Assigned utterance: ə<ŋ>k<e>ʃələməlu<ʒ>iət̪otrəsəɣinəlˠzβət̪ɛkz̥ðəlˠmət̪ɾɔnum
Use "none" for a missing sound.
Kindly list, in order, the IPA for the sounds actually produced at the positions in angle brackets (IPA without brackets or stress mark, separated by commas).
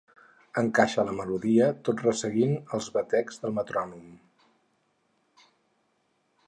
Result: ŋ, a, ð